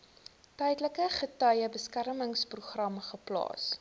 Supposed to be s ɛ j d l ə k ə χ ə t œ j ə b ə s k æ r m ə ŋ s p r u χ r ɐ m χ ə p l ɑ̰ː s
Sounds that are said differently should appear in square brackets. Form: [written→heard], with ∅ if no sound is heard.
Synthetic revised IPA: [s→t] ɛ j d l ə k ə χ ə t œ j ə b ə s k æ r m ə ŋ s p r u χ r ɐ m χ ə p l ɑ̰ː s